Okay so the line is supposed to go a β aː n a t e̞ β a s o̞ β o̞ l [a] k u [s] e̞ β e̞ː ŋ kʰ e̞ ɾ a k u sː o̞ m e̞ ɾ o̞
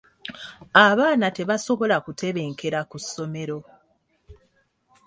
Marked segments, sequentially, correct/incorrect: correct, incorrect: t

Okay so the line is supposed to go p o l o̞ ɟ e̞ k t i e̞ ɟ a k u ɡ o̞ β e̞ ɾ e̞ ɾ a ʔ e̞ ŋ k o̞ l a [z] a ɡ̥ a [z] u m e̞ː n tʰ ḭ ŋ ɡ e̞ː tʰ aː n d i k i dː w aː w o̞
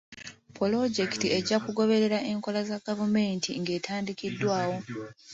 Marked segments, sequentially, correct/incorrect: correct, incorrect: v

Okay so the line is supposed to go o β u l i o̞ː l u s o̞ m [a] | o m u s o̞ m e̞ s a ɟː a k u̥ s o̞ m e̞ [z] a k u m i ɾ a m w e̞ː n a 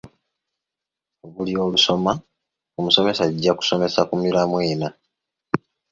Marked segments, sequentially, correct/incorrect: correct, incorrect: s

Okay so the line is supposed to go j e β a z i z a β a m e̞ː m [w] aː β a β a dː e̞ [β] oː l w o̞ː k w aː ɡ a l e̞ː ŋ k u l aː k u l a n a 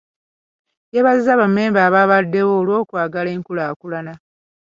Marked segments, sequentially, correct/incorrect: incorrect: b, incorrect: w

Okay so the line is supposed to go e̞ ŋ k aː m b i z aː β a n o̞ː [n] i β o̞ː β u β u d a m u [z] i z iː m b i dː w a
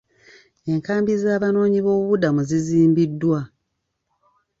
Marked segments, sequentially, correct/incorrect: incorrect: ɲ, correct

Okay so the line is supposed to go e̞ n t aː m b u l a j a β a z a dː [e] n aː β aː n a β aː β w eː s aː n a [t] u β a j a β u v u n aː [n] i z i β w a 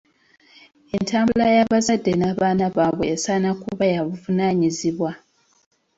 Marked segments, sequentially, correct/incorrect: correct, incorrect: k, incorrect: ɲ

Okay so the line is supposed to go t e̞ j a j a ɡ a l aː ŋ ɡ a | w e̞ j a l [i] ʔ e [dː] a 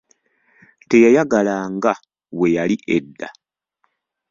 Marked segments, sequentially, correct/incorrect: correct, correct

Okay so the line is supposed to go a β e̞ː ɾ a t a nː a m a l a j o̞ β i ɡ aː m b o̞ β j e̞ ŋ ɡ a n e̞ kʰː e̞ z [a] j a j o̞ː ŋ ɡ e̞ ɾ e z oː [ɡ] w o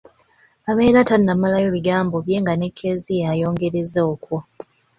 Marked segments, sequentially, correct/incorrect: incorrect: i, incorrect: k

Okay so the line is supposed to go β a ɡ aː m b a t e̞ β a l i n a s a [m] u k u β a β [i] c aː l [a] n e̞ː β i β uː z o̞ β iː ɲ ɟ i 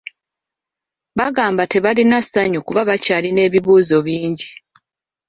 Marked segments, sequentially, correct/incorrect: incorrect: ɲ, incorrect: a, incorrect: i

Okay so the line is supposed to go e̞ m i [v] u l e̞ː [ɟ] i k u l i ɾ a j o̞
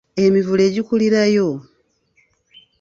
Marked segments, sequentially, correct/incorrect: correct, correct

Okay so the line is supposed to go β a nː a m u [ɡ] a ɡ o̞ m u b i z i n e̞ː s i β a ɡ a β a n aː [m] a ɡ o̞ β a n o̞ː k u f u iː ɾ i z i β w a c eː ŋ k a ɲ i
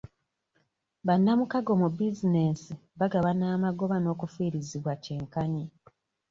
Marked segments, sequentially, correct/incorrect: incorrect: k, correct

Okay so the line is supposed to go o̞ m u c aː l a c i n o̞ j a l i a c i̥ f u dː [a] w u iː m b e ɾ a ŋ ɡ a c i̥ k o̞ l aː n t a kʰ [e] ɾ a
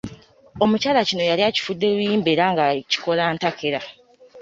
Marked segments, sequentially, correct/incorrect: incorrect: e, correct

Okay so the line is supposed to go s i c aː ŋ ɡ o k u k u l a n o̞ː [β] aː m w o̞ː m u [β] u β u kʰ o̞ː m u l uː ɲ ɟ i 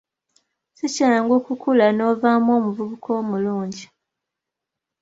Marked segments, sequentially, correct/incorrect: incorrect: v, incorrect: v

